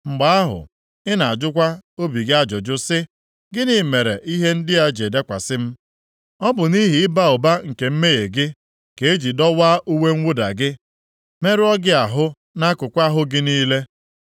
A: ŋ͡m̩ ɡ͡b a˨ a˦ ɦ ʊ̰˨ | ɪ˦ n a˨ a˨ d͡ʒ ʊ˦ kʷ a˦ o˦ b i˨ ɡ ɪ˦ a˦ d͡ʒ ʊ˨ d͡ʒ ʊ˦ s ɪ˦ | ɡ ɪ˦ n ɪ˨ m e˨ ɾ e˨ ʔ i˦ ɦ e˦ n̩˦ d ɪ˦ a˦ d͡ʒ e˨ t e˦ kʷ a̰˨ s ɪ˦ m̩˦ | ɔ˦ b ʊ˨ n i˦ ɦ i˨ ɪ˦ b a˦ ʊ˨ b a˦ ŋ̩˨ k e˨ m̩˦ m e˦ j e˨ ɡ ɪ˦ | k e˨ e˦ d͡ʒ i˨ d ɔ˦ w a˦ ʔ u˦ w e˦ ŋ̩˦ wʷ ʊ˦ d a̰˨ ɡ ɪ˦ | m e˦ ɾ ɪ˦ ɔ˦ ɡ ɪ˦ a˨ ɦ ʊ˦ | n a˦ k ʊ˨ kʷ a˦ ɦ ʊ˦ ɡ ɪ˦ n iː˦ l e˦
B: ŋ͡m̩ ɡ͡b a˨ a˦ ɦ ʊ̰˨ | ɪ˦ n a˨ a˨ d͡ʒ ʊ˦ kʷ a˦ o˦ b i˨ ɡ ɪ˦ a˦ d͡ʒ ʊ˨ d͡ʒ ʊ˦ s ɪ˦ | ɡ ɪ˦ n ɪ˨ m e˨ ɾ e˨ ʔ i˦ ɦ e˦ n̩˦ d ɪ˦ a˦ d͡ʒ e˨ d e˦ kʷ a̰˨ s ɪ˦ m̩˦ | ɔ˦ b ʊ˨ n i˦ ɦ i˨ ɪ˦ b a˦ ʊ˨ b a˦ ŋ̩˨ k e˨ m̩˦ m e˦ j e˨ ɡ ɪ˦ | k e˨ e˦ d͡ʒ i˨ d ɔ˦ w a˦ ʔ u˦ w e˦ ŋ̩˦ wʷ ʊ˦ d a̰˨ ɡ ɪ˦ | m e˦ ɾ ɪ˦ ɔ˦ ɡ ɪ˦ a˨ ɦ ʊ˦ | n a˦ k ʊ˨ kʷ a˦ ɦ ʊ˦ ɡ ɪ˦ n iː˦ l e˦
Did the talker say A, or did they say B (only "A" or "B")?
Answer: B